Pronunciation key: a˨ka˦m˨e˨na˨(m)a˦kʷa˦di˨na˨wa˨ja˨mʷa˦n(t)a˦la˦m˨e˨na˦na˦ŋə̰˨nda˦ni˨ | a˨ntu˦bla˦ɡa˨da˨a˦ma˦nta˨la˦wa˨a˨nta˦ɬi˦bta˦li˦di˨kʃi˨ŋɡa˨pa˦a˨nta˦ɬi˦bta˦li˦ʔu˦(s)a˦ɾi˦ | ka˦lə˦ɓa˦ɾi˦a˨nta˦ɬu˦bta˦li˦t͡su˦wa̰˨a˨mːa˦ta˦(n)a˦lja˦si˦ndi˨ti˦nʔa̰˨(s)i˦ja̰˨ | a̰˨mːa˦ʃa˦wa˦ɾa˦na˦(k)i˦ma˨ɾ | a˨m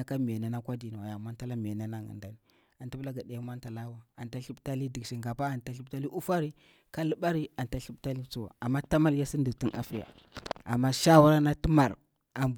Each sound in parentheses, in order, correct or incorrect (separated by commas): incorrect, correct, incorrect, incorrect, incorrect, incorrect